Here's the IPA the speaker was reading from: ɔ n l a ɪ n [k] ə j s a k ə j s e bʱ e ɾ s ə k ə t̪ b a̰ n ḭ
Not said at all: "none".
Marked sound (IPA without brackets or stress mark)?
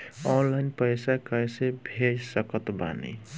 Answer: p